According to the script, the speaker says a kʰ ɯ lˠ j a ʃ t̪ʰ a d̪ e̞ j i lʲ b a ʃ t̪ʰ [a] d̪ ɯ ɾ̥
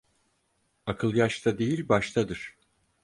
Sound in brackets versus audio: correct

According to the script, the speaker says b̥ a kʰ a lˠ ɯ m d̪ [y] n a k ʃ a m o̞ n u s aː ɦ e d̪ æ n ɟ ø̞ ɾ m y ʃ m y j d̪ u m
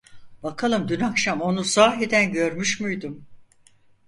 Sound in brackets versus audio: correct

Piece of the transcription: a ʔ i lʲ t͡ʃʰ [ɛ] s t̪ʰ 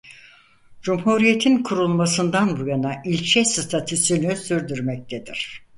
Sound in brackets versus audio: correct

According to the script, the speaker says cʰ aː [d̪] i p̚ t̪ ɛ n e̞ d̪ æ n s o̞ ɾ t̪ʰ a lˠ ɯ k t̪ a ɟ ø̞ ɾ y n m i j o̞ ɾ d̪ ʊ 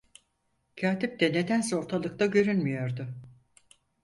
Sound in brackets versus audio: incorrect: t̪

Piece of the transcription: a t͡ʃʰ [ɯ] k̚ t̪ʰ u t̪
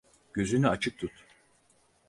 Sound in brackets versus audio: correct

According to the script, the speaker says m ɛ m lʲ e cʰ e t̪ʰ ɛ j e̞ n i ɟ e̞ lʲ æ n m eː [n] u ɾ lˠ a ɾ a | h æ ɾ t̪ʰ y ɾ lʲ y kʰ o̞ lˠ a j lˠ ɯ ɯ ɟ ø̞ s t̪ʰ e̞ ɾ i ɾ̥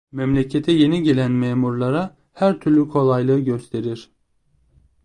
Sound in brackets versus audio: incorrect: m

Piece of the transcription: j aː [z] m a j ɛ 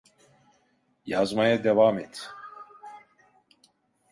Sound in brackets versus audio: correct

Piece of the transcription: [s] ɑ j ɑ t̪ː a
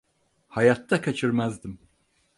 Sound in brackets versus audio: incorrect: h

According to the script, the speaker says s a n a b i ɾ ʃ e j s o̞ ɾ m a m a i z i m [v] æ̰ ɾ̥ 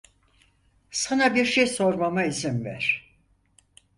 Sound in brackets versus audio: correct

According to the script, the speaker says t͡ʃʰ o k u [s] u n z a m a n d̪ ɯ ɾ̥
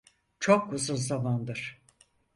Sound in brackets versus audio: incorrect: z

